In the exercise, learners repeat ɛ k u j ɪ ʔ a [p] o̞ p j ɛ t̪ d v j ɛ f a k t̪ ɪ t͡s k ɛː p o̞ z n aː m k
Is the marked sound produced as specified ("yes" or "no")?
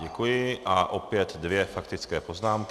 no